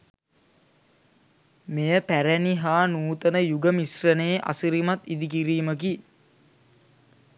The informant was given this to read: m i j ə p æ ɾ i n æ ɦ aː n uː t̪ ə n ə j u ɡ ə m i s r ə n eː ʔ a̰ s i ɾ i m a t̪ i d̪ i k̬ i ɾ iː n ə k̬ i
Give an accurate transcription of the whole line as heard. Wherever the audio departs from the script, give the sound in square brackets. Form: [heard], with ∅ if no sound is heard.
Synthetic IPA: m [e] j ə p æ ɾ [æ] n [i] ɦ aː n uː t̪ ə n ə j u ɡ ə m i s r ə n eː ʔ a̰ s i ɾ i m a t̪ i d̪ i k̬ i ɾ iː [m] ə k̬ i